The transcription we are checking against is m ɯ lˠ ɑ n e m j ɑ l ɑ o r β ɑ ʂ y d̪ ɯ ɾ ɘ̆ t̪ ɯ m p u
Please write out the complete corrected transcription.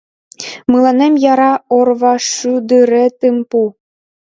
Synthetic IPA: m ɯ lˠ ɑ n e m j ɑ ɾ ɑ o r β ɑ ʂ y d̪ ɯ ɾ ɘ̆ t̪ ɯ m p u